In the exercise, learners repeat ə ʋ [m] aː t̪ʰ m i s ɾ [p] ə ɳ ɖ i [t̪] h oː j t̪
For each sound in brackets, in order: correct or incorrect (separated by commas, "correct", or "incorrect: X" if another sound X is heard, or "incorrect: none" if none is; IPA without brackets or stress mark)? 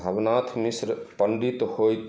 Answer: incorrect: n, correct, correct